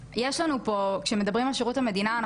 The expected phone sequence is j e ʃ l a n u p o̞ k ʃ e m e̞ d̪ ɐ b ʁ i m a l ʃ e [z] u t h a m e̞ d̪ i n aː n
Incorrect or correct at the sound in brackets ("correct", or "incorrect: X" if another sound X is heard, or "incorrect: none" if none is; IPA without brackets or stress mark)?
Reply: incorrect: ʁ